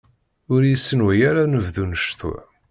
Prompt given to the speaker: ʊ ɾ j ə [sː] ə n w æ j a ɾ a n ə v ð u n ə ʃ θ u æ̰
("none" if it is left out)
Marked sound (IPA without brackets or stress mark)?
sː